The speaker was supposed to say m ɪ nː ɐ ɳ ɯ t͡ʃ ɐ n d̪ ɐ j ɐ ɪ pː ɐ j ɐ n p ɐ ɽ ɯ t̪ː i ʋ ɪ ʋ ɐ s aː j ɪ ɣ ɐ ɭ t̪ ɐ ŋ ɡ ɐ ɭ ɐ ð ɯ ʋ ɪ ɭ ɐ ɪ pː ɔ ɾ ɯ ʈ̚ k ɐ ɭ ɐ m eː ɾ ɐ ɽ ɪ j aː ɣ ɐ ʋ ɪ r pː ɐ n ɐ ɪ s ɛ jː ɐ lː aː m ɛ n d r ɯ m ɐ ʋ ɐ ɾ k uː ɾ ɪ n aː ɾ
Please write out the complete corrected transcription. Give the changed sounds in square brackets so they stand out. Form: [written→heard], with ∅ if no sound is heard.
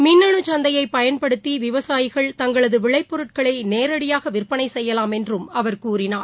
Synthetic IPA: m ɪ nː ɐ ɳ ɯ t͡ʃ ɐ n d̪ ɐ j ɐ ɪ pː ɐ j ɐ n p ɐ ɽ ɯ t̪ː i ʋ ɪ ʋ ɐ s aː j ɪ ɣ ɐ ɭ t̪ ɐ ŋ ɡ ɐ ɭ ɐ ð ɯ ʋ ɪ ɭ ɐ ɪ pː ɔ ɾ ɯ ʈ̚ k ɐ ɭ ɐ [m→n] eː ɾ ɐ ɽ ɪ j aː ɣ ɐ ʋ ɪ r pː ɐ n ɐ ɪ s ɛ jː ɐ [lː→l] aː m ɛ n d r ɯ m ɐ ʋ ɐ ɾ k uː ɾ ɪ n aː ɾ